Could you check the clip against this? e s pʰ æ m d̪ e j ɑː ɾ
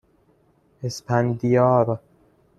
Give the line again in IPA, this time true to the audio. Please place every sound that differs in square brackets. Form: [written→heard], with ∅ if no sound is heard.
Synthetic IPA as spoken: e s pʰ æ [m→n] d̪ [e→i] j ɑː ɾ